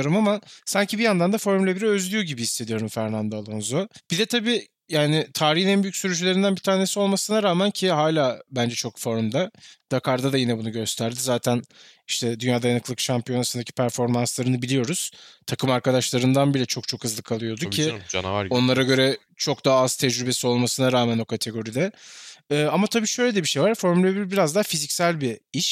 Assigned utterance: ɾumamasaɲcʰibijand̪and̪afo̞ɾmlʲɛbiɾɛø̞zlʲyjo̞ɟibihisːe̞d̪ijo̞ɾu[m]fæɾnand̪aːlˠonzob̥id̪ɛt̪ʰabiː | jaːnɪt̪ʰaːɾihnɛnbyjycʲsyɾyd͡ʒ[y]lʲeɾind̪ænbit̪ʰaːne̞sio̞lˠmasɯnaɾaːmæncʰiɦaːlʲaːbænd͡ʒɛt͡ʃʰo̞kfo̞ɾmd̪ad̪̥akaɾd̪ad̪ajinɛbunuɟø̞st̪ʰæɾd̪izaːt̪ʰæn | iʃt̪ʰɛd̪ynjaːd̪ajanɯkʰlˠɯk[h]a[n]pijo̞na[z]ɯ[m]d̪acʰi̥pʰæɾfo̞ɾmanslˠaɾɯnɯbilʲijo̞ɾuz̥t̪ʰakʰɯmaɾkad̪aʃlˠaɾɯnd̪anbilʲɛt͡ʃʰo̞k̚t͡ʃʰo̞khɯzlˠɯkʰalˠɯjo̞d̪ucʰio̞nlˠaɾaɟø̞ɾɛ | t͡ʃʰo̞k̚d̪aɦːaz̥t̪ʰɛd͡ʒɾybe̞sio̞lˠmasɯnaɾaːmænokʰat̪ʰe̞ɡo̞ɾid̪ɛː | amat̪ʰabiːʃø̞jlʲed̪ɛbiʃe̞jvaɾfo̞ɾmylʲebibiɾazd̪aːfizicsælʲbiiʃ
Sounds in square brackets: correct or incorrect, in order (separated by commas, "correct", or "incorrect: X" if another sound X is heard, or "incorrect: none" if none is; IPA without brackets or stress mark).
correct, correct, incorrect: ʃ, incorrect: m, incorrect: s, incorrect: n